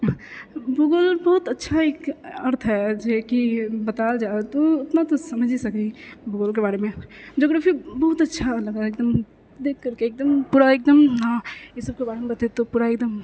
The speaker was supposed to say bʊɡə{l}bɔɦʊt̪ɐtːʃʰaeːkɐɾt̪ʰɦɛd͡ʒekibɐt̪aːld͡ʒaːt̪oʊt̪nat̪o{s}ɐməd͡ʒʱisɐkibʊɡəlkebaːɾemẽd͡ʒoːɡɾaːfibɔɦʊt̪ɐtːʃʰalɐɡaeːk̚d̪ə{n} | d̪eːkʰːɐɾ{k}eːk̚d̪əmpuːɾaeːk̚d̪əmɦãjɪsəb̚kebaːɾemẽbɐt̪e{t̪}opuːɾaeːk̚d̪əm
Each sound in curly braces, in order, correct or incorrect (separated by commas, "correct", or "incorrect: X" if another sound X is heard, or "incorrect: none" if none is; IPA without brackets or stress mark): correct, correct, incorrect: m, correct, correct